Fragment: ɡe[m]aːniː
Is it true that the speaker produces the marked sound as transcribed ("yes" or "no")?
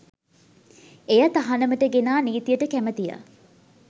no